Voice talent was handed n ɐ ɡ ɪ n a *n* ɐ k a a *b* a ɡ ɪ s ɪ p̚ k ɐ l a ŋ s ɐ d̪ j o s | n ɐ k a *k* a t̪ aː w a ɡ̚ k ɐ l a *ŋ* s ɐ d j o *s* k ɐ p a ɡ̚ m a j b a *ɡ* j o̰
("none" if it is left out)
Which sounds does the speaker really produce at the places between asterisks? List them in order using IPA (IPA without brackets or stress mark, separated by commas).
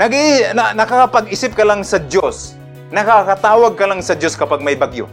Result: n, p, k, ŋ, s, ɡ